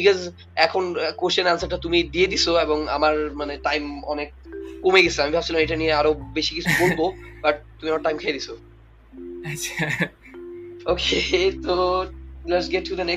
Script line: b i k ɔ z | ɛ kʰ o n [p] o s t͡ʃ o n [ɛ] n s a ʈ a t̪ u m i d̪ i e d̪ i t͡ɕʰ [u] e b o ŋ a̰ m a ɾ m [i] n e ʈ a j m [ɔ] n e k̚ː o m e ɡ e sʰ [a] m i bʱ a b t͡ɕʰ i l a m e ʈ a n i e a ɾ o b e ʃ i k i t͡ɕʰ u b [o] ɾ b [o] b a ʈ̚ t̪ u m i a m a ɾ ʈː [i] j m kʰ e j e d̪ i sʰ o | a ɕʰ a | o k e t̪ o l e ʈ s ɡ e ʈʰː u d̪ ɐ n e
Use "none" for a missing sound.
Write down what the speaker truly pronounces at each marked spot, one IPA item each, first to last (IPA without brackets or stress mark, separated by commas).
k, a, o, a, ɔ, a, o, o, a